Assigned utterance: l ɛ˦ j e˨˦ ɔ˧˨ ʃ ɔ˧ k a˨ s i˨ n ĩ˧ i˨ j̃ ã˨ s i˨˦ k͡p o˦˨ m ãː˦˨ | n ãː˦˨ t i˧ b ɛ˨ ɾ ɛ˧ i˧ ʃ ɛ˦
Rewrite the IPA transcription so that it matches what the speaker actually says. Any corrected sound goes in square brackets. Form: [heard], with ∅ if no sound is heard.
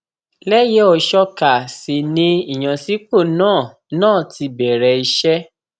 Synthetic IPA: l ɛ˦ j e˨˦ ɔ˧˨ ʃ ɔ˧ k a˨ s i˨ n ĩ˧ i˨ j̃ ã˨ s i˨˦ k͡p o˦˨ [n] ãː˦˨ | n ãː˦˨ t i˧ b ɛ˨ ɾ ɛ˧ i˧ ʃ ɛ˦